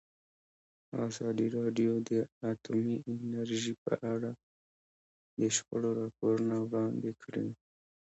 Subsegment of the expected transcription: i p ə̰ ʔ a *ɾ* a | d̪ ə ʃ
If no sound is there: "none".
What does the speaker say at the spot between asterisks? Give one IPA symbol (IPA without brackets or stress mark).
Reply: ɽ